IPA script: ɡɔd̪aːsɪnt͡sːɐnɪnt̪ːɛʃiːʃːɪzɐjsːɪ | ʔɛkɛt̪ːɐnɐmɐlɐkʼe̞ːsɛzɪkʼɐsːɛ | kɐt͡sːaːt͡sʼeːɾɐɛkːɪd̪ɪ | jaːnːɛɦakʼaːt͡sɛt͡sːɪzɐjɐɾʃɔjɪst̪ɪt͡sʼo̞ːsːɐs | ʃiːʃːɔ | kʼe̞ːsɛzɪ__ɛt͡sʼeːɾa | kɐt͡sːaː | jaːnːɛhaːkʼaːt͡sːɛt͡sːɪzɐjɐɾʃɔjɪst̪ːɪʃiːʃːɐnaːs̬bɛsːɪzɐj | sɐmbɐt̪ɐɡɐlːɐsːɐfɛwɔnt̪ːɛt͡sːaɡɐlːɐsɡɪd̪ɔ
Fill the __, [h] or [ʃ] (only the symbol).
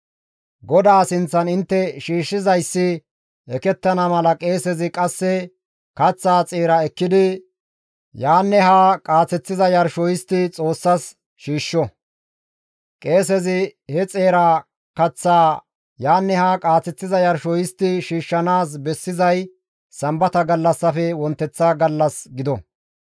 h